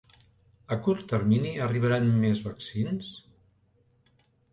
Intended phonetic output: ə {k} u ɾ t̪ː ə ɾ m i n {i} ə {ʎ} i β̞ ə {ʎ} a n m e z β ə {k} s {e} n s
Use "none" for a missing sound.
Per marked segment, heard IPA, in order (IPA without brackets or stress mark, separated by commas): k, i, r, ɾ, k, i